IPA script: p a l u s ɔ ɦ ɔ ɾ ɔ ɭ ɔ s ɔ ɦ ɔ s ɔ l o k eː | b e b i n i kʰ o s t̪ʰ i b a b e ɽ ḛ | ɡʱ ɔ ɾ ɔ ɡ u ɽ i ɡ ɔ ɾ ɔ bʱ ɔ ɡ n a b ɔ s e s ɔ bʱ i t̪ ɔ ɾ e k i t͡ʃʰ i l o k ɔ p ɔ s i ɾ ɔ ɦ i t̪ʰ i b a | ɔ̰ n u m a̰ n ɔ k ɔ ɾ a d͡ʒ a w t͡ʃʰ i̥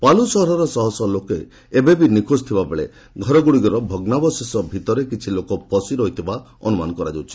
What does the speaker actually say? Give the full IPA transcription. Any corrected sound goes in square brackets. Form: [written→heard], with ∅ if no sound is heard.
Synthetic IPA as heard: p a l u s ɔ ɦ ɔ ɾ ɔ [ɭ→ɾ] ɔ s ɔ ɦ ɔ s ɔ l o k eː | b e b i n i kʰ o s t̪ʰ i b a b e [ɽ→ɭ] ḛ | ɡʱ ɔ ɾ ɔ ɡ u ɽ i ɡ ɔ ɾ ɔ bʱ ɔ ɡ n a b ɔ s e s ɔ bʱ i t̪ ɔ ɾ e k i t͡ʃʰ i l o k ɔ p ɔ s i ɾ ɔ ɦ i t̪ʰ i b a | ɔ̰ n u m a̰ n ɔ k ɔ ɾ a d͡ʒ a w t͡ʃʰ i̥